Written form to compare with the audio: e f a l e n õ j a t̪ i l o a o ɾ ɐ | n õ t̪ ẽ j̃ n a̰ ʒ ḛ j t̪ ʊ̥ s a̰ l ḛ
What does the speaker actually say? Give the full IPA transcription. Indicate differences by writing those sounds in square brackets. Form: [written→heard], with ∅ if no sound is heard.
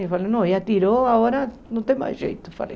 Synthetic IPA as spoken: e f a l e n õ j a t̪ i [l→ɾ] o a o ɾ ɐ | n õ t̪ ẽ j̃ [n→m] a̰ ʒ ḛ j t̪ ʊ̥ [s→f] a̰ l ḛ